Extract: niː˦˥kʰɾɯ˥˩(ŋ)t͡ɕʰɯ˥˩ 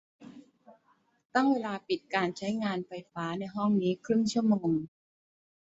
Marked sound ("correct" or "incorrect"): correct